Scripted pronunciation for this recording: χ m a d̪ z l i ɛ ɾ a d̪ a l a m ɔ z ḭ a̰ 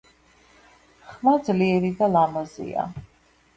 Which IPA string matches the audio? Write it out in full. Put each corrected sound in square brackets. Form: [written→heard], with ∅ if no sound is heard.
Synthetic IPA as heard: χ m a d̪ z l i ɛ ɾ [a→i] d̪ a l a m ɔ z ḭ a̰